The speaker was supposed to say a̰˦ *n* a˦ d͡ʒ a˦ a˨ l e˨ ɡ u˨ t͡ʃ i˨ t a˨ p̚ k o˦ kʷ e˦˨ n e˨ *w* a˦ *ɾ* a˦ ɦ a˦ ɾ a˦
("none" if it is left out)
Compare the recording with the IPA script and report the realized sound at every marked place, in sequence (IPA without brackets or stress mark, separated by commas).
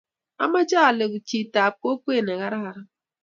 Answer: m, ɣ, ɾ